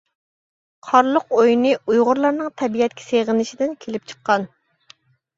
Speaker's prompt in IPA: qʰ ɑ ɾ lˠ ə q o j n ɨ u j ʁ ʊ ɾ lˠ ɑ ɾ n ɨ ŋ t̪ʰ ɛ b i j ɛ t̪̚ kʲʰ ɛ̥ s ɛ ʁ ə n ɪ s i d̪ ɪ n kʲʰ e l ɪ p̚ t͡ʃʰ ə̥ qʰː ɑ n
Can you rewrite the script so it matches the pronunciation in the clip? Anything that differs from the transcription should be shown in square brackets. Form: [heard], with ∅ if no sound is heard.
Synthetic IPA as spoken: qʰ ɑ ɾ lˠ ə q o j n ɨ u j ʁ ʊ ɾ lˠ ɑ ɾ n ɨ ŋ t̪ʰ ɛ b i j ɛ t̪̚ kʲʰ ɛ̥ s [e] ʁ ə n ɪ [ʃ] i d̪ ɪ n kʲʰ e l ɪ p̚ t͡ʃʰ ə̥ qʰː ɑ n